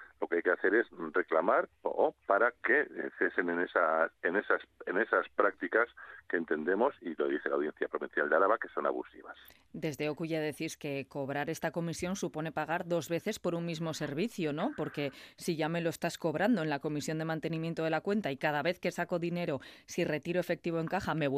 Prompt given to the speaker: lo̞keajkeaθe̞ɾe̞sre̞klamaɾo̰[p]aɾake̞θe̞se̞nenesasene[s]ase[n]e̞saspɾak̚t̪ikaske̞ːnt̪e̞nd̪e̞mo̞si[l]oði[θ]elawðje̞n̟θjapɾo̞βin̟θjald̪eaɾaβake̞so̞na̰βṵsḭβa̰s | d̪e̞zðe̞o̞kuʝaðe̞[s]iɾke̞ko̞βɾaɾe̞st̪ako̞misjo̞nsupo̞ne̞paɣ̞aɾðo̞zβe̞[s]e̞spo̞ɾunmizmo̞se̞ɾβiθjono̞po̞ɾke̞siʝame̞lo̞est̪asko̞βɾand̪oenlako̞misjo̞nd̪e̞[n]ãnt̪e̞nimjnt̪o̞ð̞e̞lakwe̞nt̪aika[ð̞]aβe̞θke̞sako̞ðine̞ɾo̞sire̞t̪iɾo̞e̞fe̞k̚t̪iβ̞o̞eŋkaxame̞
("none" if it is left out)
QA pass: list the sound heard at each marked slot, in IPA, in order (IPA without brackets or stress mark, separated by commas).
p, s, n, l, θ, θ, θ, m, ð̞